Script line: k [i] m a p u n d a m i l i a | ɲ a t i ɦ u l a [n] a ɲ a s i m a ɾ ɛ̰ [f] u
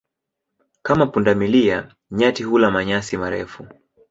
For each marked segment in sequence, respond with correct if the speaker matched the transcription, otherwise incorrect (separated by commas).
incorrect, incorrect, correct